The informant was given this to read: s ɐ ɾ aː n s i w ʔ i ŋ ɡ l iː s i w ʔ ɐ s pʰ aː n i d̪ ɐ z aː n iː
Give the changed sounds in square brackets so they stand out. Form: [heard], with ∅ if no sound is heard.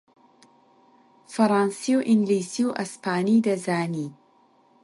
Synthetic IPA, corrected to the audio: [f] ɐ ɾ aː n s i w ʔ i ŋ ɡ l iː s i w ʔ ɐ s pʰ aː n i d̪ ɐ z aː n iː